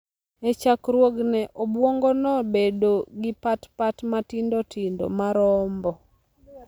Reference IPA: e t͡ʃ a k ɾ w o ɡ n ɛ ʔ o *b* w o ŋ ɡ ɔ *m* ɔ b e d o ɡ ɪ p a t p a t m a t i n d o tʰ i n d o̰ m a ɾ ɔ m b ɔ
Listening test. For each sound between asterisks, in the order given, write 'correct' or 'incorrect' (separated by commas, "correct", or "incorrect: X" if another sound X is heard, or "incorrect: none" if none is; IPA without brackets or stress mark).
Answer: correct, incorrect: n